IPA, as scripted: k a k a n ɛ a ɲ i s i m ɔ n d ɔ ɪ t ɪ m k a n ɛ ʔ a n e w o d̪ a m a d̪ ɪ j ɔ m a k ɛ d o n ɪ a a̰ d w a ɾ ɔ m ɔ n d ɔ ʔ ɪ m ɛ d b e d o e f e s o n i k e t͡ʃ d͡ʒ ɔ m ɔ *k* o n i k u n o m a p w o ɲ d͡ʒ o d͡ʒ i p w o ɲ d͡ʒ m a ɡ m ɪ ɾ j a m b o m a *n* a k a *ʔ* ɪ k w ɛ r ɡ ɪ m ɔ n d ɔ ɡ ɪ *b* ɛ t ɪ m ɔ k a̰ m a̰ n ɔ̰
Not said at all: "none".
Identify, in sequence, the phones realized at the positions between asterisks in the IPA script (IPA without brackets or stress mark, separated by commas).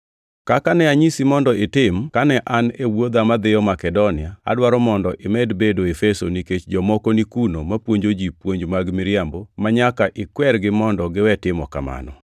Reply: k, ɲ, ʔ, w